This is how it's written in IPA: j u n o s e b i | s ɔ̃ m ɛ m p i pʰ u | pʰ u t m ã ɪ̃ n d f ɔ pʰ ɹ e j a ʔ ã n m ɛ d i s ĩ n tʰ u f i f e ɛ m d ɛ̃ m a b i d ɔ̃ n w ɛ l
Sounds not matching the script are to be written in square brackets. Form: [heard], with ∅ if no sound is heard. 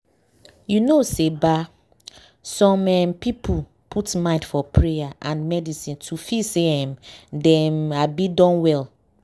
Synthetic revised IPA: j u n o s e b [a] | s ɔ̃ m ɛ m p i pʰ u | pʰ u t m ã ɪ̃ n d f ɔ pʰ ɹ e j a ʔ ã n m ɛ d i s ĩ n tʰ u f i [s] e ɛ m d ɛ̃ m a b i d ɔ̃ n w ɛ l